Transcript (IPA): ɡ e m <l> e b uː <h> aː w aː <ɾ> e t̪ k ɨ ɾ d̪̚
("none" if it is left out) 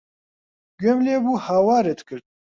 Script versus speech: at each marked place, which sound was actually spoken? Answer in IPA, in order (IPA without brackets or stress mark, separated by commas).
l, h, ɾ